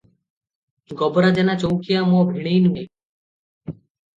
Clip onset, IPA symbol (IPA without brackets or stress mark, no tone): ɡ